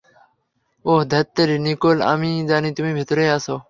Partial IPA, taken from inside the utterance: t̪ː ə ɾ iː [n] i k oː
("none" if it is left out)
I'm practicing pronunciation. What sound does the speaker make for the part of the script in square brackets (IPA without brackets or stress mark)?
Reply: n